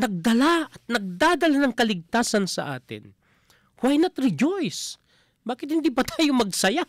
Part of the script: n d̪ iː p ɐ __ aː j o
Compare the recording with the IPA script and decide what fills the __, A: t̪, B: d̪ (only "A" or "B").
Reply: A